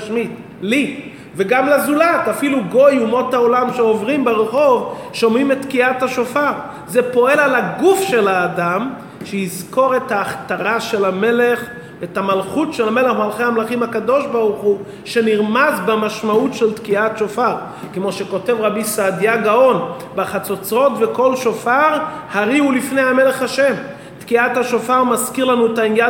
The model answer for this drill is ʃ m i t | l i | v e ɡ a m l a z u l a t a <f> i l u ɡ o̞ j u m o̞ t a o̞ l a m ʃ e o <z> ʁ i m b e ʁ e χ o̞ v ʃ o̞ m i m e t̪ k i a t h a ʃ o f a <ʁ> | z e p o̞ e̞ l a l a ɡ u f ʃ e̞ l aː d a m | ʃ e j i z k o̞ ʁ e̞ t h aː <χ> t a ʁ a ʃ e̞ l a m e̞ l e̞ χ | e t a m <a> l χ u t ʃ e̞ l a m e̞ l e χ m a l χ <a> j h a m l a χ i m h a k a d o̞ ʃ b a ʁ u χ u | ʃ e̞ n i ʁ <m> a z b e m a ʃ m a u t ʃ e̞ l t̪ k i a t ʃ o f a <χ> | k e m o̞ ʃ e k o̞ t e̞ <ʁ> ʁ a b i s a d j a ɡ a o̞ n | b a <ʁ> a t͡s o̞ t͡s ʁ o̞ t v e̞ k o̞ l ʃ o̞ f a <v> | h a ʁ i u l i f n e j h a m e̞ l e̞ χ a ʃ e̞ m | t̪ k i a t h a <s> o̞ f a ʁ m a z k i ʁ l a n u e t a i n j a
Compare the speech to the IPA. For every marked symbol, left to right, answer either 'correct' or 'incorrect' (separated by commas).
correct, incorrect, correct, correct, correct, incorrect, correct, incorrect, incorrect, incorrect, incorrect, incorrect